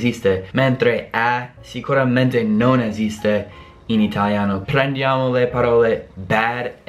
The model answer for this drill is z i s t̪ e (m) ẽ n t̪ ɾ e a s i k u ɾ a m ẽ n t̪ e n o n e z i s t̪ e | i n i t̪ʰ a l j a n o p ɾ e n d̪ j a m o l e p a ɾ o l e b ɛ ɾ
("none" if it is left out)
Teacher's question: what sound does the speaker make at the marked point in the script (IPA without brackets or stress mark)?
m